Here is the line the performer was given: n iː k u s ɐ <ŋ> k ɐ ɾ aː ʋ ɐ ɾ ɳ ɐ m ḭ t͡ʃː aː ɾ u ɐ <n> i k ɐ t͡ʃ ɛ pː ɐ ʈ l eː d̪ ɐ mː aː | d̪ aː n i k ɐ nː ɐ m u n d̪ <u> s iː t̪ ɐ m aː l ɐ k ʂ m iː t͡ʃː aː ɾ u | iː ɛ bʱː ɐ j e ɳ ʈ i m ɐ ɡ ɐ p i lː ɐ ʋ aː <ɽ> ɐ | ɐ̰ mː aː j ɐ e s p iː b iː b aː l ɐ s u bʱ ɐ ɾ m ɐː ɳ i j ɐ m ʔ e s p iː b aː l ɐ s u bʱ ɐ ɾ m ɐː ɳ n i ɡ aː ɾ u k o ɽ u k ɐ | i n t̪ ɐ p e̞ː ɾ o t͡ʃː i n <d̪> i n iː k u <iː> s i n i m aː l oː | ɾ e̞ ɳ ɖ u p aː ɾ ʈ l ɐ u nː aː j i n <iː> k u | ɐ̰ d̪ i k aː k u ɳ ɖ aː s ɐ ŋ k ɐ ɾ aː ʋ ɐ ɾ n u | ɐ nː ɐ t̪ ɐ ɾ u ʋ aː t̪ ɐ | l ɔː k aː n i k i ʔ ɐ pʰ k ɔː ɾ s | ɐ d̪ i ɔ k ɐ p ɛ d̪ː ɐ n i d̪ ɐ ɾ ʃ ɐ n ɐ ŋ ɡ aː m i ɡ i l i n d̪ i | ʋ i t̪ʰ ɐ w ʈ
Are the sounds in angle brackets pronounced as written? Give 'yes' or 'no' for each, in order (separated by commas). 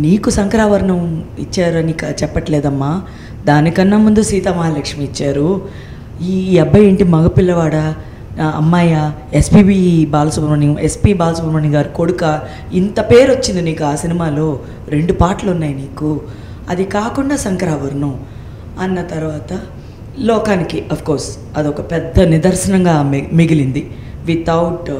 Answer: yes, yes, yes, yes, yes, no, yes